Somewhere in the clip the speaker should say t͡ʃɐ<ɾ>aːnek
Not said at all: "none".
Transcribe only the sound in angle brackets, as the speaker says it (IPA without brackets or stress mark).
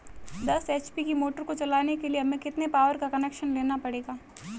l